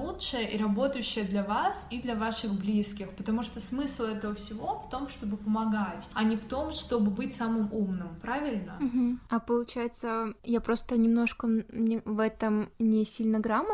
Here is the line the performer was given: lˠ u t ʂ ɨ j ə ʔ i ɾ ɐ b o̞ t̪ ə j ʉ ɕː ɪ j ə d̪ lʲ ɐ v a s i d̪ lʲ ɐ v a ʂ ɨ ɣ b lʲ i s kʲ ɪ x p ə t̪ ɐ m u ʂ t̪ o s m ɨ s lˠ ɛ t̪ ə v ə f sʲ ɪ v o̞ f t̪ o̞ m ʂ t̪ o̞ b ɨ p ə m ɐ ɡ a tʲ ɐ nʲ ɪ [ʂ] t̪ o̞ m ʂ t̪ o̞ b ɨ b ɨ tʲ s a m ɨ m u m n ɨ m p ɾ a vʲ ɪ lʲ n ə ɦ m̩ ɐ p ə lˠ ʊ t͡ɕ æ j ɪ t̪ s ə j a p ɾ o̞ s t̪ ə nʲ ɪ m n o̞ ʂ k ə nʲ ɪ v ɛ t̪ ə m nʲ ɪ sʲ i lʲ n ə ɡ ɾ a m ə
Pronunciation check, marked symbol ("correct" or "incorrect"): incorrect